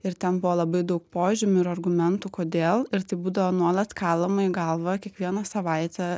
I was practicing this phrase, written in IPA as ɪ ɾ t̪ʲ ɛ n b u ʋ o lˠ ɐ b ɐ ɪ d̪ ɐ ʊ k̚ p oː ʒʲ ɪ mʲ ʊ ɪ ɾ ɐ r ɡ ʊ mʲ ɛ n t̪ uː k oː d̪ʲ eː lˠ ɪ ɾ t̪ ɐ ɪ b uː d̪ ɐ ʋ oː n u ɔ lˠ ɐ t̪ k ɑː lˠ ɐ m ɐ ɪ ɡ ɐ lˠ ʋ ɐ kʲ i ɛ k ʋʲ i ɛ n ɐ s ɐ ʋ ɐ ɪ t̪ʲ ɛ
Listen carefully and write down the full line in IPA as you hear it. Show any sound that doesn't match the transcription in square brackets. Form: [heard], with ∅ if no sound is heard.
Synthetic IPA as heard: ɪ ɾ t̪ʲ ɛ n b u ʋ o lˠ ɐ b ɐ ɪ d̪ ɐ ʊ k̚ p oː ʒʲ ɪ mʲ ʊ ɪ ɾ ɐ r ɡ ʊ mʲ ɛ n t̪ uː k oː d̪ʲ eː lˠ ɪ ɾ t̪ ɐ ɪ b uː d̪ ɐ ʋ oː n u ɔ lˠ ɐ t̪ k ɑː lˠ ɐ m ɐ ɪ ɡ ɐ lˠ ʋ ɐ kʲ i ɛ k ʋʲ i ɛ n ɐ s ɐ ʋ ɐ ɪ t̪ʲ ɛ